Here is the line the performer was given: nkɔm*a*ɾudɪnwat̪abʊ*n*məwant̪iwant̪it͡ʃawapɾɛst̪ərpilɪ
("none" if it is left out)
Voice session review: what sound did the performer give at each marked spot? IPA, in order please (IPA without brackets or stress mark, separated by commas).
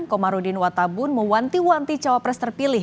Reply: a, n